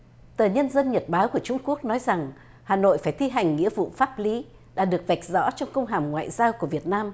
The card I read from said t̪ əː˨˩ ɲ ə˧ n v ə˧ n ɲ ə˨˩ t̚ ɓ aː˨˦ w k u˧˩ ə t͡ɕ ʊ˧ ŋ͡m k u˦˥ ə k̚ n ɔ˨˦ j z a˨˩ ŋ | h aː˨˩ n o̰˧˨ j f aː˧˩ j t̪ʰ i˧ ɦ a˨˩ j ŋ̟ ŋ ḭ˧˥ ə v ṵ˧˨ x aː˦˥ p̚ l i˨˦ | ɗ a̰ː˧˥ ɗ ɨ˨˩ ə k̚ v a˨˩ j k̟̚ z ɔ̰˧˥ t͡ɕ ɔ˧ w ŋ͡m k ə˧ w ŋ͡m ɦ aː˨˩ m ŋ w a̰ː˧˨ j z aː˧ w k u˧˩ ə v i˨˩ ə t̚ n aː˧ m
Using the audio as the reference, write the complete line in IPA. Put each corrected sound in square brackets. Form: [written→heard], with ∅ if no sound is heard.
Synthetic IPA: t̪ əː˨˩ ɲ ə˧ n [v→z] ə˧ n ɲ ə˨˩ t̚ ɓ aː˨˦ w k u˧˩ ə t͡ɕ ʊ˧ ŋ͡m k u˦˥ ə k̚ n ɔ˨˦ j z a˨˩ ŋ | h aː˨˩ n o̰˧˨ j f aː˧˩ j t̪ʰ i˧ ɦ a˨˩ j ŋ̟ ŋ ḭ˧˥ ə v ṵ˧˨ [x→f] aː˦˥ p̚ l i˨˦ | ɗ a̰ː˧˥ ɗ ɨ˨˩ ə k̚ v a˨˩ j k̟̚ z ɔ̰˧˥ t͡ɕ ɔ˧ w ŋ͡m k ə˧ w ŋ͡m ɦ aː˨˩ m ŋ w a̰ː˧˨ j z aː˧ w k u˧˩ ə v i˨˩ ə t̚ n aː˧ m